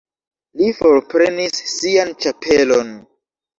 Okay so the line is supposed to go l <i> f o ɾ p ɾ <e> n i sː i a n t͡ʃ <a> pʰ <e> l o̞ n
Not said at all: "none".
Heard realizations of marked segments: i, e, a, e

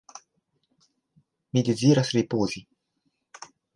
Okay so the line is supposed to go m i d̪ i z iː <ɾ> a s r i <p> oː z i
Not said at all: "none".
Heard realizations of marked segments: ɾ, p

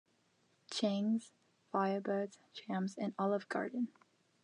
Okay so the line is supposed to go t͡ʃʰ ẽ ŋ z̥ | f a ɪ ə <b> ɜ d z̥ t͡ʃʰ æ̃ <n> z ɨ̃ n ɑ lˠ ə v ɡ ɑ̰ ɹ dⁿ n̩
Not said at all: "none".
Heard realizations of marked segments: b, m

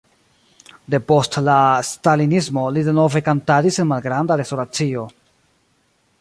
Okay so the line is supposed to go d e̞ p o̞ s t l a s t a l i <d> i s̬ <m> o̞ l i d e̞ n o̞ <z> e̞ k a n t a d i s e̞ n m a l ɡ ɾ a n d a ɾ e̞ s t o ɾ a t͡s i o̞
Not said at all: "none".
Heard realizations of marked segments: n, m, v

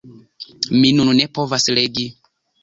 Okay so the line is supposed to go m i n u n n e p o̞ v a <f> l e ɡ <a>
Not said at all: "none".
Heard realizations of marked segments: s, i

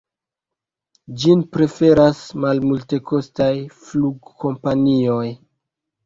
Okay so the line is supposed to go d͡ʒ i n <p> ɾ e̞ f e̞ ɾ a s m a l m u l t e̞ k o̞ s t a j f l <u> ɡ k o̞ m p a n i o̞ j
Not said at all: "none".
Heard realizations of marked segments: p, u

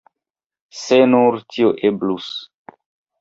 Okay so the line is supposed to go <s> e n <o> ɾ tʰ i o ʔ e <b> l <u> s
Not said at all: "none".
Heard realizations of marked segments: s, u, b, u

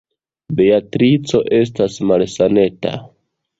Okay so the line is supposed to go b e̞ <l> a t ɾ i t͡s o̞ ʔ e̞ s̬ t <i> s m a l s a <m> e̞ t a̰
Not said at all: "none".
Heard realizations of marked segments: none, a, n

